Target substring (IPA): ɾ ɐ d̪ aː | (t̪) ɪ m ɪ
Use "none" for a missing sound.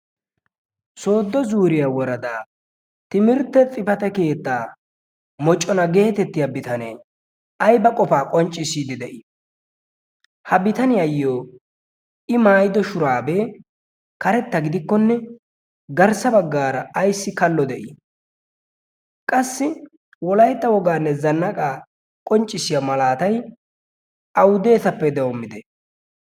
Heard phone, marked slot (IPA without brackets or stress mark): t̪